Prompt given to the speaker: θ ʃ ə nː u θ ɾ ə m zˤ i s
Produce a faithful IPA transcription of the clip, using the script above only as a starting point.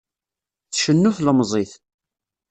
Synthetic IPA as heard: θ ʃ ə nː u θ l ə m zˤ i θ